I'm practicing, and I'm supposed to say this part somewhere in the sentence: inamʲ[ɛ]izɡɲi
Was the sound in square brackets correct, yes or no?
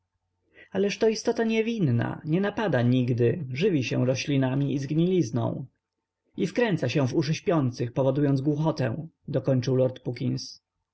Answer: no